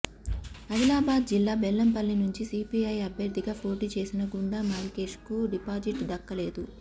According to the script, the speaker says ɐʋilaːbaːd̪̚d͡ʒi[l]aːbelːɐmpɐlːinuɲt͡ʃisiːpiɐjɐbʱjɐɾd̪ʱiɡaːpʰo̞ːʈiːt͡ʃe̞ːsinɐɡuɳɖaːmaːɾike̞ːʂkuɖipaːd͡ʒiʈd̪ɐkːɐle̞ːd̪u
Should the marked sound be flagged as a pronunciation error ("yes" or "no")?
yes